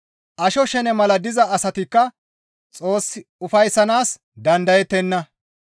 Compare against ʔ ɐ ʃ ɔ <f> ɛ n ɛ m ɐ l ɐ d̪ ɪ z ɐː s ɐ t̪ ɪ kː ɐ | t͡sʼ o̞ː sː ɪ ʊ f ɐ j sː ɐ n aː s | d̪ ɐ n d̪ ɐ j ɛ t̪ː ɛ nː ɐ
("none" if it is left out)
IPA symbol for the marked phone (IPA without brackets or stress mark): ʃ